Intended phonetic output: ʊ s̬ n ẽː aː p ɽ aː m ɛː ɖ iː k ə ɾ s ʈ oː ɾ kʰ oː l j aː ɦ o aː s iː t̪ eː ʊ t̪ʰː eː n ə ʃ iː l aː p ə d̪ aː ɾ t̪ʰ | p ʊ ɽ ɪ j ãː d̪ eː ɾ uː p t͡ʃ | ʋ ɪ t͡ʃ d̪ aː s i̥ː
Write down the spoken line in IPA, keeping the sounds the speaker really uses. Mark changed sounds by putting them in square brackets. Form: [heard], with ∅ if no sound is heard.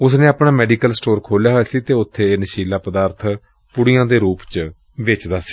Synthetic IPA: ʊ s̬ n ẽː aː p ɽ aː m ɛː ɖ iː k ə [l] s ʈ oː ɾ kʰ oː l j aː ɦ o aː s iː t̪ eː ʊ t̪ʰː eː n ə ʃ iː l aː p ə d̪ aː ɾ t̪ʰ | p ʊ ɽ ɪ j ãː d̪ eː ɾ uː p t͡ʃ | ʋ ɪ t͡ʃ d̪ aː s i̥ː